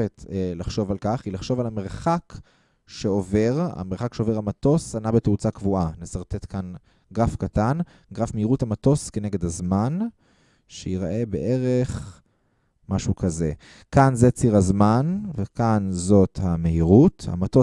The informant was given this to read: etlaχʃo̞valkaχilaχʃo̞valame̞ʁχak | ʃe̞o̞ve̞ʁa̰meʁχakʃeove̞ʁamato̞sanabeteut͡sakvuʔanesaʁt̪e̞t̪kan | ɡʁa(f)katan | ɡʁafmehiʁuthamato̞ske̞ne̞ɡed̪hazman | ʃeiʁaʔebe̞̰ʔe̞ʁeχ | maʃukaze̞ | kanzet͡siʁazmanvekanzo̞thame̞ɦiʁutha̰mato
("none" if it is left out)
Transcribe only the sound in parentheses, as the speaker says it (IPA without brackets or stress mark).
f